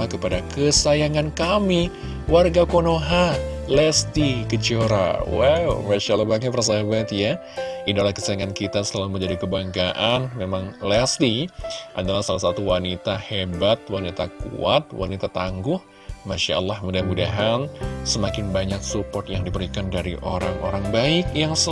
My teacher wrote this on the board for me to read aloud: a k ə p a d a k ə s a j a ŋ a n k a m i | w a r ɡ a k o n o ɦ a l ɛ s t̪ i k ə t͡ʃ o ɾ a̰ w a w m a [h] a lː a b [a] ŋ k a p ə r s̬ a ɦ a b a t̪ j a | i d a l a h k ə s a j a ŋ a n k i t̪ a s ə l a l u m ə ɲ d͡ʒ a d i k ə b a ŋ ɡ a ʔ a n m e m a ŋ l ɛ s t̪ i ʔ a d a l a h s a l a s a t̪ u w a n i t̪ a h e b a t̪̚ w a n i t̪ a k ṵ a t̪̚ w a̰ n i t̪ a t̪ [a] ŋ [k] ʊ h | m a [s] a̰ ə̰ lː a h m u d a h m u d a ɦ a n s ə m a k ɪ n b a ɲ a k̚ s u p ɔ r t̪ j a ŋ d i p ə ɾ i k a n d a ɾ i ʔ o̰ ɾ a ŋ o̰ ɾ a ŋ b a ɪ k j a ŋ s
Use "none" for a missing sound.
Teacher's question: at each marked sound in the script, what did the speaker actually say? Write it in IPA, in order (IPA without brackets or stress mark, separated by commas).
ʃ, a, a, ɡ, ʃ